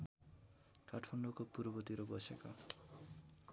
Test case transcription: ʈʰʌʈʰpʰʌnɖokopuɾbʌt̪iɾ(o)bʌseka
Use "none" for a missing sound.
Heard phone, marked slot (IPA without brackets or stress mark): o